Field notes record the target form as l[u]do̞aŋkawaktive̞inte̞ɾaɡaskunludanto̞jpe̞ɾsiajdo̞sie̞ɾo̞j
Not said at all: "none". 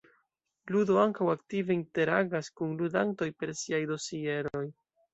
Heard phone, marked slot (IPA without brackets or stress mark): u